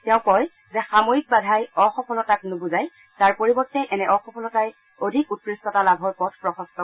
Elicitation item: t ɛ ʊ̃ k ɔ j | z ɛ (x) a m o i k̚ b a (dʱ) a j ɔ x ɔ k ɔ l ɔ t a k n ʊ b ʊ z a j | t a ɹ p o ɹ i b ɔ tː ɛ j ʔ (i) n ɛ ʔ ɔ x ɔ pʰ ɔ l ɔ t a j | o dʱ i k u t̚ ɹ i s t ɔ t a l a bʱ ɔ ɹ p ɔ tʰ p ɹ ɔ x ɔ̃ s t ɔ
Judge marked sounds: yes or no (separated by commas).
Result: yes, yes, no